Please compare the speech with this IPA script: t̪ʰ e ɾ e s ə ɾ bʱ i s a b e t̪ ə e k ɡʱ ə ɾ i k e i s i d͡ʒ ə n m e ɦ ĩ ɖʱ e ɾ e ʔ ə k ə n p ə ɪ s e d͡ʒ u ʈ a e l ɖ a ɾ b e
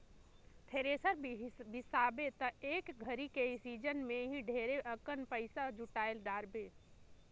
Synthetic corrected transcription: t̪ʰ e ɾ e s ə ɾ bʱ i s a b e t̪ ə e k ɡʱ ə ɾ i k e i s i d͡ʒ ə n m e ɦ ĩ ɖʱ e ɾ e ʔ ə k ə n p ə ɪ s a d͡ʒ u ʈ a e l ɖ a ɾ b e